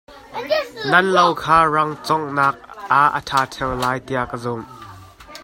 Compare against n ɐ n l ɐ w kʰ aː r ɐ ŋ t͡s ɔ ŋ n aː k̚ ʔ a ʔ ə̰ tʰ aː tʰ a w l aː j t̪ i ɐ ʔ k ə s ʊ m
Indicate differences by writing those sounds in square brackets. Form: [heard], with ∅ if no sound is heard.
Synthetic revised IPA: n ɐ n l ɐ w kʰ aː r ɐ ŋ t͡s ɔ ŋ n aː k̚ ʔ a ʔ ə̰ tʰ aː tʰ [ɛ] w l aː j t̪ i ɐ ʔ k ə [z] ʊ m